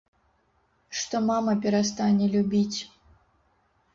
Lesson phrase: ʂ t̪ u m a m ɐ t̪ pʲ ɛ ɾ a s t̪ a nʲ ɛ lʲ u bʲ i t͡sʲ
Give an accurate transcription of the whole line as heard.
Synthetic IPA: ʂ t̪ ɔ m a m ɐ pʲ ɛ ɾ a s t̪ a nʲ ɛ lʲ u bʲ i t͡sʲ